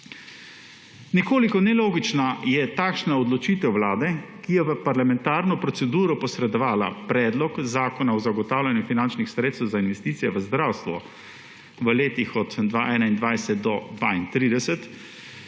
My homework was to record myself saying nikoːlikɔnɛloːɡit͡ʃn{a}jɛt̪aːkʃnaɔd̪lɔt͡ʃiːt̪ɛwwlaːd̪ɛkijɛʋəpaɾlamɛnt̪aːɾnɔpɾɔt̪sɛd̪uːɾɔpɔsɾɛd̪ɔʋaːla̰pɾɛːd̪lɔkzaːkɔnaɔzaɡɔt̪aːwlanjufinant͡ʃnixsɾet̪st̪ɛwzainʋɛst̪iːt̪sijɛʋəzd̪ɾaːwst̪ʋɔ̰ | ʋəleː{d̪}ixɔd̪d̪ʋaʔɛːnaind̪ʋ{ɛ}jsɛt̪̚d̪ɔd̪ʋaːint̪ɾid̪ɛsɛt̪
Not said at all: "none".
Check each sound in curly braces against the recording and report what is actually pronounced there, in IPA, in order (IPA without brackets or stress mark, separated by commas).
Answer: a, t̪, a